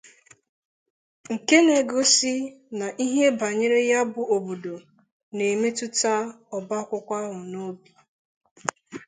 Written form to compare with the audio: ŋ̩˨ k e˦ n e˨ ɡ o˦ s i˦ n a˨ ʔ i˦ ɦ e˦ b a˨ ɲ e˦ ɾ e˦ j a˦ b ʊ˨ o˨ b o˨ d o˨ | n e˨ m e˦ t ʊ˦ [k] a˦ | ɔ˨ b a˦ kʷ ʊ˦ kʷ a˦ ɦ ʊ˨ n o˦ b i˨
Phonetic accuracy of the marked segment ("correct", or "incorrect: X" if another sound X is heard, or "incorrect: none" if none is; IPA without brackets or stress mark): incorrect: t